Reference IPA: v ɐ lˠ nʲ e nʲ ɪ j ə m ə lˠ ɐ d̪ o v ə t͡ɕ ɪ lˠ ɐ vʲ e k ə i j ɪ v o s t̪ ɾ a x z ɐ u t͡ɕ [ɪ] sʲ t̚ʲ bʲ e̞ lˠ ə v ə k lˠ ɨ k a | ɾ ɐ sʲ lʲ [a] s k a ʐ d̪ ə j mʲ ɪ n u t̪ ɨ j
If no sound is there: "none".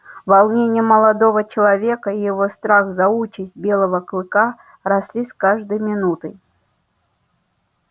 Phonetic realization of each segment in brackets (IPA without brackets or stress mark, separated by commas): ɪ, i